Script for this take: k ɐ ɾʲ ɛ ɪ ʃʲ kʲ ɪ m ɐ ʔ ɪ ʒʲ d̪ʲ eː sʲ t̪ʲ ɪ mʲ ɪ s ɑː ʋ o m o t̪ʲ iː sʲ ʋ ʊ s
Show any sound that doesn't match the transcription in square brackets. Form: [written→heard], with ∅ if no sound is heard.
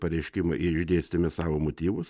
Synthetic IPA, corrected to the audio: [k→p] ɐ ɾʲ ɛ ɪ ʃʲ kʲ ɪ m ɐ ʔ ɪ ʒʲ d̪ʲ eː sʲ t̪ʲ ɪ mʲ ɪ s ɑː ʋ o m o t̪ʲ iː [sʲ→∅] ʋ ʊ s